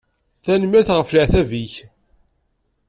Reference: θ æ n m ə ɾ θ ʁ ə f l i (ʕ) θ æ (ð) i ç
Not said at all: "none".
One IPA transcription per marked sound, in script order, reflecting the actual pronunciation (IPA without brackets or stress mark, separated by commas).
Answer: ʕ, v